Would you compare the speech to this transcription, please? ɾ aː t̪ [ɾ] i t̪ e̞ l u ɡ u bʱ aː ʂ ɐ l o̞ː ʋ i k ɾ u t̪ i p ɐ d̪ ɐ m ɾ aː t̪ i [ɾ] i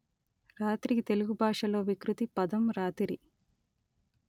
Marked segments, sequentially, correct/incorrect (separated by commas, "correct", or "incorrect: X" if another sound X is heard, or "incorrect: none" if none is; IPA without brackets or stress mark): correct, correct